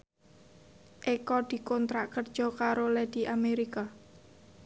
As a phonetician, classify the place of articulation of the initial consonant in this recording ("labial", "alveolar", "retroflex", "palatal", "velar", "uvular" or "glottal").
glottal